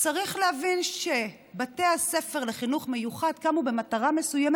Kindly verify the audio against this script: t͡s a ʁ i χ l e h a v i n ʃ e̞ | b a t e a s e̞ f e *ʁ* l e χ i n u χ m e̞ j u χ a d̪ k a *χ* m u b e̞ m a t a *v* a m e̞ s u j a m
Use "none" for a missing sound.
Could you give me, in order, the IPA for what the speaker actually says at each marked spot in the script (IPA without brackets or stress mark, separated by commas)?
ʁ, none, ʁ